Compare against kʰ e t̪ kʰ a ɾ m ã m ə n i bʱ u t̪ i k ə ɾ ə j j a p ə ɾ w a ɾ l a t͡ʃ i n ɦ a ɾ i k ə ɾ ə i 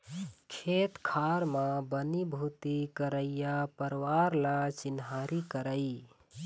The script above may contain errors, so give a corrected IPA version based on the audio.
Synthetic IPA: kʰ e t̪ kʰ a ɾ m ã b ə n i bʱ u t̪ i k ə ɾ ə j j a p ə ɾ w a ɾ l a t͡ʃ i n ɦ a ɾ i k ə ɾ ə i